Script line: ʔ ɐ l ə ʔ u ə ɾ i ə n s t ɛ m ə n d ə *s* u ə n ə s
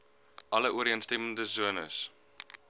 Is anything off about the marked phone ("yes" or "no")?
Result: yes